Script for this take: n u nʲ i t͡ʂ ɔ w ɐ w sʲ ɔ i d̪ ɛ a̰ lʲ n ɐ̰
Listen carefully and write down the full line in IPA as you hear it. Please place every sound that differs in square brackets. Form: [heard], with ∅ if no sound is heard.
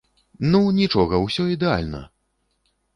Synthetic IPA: n u nʲ i t͡ʂ ɔ [ɣ] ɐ w sʲ ɔ i d̪ ɛ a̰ lʲ n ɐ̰